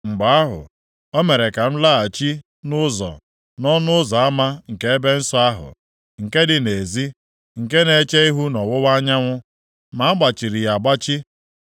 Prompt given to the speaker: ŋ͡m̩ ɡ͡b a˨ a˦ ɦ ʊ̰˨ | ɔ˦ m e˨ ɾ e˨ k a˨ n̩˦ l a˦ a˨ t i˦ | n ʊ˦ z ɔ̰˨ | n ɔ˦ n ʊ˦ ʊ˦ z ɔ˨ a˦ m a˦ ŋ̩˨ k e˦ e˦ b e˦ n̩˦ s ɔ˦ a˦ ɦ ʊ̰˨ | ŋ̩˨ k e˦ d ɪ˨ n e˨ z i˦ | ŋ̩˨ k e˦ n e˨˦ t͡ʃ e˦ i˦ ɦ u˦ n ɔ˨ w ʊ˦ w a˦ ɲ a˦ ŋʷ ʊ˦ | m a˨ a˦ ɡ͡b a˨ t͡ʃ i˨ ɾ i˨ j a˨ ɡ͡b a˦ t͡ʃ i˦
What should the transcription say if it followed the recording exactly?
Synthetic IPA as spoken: ŋ͡m̩ ɡ͡b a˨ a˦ ɦ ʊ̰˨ | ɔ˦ m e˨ ɾ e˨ k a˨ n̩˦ l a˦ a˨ t͡ʃ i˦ | n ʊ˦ z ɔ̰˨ | n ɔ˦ n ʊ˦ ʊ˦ z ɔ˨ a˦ m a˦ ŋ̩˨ k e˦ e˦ b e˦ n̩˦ s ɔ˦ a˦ ɦ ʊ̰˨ | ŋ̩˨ k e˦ d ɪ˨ n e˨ z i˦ | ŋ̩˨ k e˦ n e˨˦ t͡ʃ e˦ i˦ ɦ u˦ n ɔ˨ w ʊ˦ w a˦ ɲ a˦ ŋʷ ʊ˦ | m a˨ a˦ ɡ͡b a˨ t͡ʃ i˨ ɾ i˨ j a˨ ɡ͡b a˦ t͡ʃ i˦